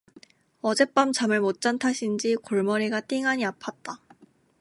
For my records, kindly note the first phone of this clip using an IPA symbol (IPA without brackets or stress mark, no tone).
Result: ʌ